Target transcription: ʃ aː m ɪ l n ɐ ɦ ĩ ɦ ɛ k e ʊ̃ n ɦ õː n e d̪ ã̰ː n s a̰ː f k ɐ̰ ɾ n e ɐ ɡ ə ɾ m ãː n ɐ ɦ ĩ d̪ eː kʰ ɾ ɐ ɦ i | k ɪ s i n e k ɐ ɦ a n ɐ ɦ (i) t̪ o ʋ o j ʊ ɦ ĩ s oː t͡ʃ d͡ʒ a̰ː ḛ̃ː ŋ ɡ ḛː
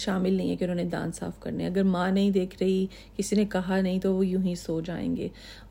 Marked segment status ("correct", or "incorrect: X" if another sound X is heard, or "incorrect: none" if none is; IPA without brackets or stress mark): incorrect: ĩ